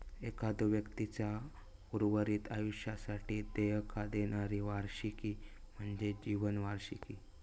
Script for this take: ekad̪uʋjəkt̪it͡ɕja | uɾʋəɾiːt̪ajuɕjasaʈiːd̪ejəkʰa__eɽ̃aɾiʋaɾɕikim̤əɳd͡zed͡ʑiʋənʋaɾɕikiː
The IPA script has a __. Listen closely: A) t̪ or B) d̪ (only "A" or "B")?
B